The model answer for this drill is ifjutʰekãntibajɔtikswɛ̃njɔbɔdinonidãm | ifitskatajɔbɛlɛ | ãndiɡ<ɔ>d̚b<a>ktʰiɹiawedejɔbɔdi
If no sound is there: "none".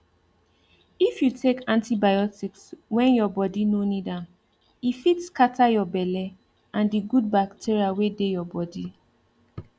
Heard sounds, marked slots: u, a

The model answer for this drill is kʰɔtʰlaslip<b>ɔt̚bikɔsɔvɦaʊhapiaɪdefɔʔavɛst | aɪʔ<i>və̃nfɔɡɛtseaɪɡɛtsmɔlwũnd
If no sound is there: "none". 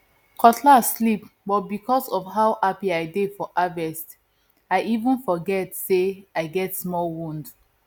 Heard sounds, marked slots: b, i

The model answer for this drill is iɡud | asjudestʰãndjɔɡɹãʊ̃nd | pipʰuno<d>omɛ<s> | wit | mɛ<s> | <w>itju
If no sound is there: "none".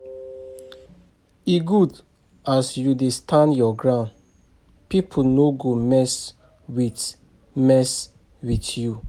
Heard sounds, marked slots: ɡ, s, s, w

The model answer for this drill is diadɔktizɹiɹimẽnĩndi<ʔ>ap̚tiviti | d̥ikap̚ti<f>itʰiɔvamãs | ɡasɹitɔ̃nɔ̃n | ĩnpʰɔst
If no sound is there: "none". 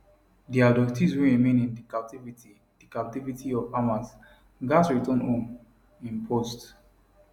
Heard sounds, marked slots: k, v

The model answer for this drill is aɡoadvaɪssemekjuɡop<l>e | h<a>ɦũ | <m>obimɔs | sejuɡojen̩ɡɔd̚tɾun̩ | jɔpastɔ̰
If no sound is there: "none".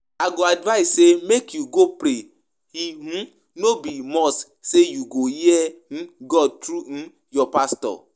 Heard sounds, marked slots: ɾ, i, n

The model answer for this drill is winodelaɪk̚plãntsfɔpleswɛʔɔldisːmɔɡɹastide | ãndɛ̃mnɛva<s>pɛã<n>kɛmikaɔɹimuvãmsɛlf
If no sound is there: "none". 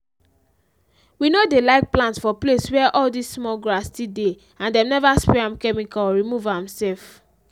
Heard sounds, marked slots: s, m

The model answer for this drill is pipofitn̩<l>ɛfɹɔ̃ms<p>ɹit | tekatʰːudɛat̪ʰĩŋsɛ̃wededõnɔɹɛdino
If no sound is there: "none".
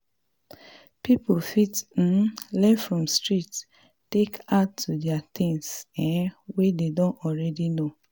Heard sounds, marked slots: l, t

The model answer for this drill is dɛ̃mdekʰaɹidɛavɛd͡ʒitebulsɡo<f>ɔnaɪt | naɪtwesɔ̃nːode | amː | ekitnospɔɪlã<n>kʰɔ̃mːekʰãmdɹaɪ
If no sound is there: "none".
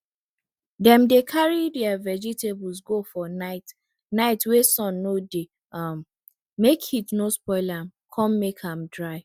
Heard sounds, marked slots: f, m

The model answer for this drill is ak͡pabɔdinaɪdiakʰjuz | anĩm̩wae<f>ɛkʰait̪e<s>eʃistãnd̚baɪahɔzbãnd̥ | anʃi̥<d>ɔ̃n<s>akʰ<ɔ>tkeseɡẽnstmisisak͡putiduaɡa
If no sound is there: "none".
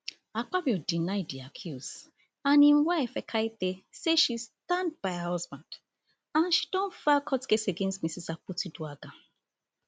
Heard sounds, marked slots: f, s, d, f, ɔ

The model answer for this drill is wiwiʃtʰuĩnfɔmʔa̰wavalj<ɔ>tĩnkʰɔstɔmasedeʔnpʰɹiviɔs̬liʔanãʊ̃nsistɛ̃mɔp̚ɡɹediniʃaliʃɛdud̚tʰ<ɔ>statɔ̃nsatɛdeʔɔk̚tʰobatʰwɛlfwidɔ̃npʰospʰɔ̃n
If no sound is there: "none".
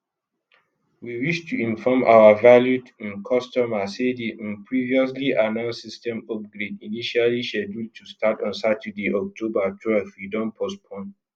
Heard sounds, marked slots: u, u

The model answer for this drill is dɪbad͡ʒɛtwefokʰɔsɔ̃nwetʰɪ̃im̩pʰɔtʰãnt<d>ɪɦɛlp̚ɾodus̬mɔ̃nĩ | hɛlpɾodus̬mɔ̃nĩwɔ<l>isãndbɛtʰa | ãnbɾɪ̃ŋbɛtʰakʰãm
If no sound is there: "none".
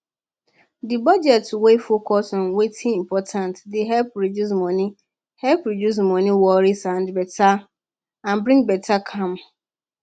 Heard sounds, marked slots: d, ɾ

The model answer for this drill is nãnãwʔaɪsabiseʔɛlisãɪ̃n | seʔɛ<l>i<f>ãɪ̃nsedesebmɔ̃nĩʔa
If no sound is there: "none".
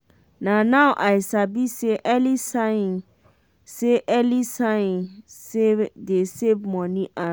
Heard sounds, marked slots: l, s

